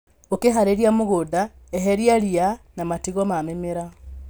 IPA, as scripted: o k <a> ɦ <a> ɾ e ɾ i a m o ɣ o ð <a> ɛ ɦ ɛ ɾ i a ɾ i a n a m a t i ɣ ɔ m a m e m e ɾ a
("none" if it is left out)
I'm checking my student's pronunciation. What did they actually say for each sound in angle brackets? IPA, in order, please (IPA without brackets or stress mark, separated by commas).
e, a, a